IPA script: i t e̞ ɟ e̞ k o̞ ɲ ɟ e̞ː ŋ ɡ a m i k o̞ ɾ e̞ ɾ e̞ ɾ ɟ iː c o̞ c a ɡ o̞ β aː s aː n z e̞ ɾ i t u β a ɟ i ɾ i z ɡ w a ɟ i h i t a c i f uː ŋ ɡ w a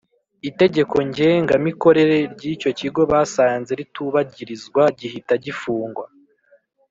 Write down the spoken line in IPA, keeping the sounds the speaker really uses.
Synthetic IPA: i t e̞ ɟ e̞ k o̞ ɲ ɟ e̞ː ŋ ɡ a m i k o̞ ɾ e̞ ɾ e̞ ɾ ɟ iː c o̞ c i ɡ o̞ β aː s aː n z e̞ ɾ i t u β a ɟ i ɾ i z ɡ w a ɟ i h i t a ɟ i f uː ŋ ɡ w a